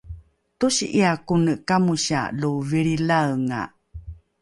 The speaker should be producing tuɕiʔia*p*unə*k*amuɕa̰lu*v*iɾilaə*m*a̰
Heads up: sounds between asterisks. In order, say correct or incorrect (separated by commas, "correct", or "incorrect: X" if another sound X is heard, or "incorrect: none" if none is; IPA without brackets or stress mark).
incorrect: k, correct, correct, incorrect: ŋ